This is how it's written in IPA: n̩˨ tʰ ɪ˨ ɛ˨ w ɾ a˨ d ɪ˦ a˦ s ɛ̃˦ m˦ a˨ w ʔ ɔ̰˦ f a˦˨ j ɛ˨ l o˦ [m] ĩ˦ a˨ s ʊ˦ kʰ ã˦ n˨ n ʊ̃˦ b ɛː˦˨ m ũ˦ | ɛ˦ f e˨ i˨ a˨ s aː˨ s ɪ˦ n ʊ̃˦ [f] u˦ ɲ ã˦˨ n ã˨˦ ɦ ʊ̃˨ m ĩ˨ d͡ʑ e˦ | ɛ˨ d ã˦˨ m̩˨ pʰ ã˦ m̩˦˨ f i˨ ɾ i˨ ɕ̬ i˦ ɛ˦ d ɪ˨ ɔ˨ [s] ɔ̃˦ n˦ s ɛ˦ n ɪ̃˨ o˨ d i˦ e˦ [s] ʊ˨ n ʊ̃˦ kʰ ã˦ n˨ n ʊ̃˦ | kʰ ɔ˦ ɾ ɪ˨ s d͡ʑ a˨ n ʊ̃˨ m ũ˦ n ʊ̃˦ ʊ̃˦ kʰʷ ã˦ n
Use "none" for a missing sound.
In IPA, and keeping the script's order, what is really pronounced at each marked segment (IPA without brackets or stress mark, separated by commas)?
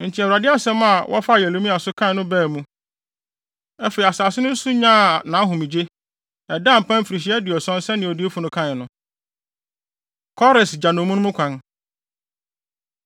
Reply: m, s, s, f